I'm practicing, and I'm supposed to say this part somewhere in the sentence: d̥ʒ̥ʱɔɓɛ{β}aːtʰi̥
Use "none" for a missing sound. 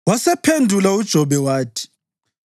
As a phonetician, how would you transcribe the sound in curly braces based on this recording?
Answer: w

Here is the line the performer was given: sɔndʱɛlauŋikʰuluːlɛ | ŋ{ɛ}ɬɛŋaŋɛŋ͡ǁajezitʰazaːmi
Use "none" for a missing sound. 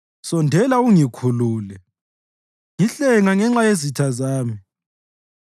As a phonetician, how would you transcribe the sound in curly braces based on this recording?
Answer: i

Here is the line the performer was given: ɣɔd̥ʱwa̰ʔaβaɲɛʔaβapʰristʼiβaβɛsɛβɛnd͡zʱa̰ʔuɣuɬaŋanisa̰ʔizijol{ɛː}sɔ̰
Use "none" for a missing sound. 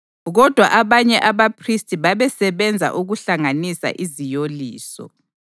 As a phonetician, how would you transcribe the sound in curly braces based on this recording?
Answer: iː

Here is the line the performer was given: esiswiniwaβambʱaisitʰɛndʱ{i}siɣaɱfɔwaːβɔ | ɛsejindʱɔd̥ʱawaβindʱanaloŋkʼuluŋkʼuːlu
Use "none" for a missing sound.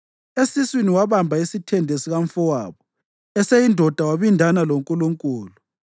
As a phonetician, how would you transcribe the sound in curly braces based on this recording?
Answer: e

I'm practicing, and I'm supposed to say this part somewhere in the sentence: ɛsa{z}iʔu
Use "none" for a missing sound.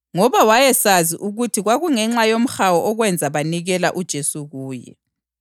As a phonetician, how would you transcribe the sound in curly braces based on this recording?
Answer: z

